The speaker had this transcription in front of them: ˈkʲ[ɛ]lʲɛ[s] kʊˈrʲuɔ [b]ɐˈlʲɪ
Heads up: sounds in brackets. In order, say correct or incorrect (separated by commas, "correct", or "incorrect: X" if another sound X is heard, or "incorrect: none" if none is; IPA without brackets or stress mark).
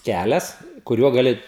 incorrect: æ, correct, incorrect: ɡ